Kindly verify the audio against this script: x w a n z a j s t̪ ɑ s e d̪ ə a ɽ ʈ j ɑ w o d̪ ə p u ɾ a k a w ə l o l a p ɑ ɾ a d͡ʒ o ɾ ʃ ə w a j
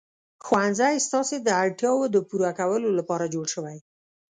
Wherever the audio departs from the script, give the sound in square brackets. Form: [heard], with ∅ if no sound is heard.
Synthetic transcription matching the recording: x w a n z a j s t̪ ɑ s e d̪ ə a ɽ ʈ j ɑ w o d̪ ə p u ɾ a k a w ə l o l a p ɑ ɾ a d͡ʒ o [ɽ] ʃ ə w a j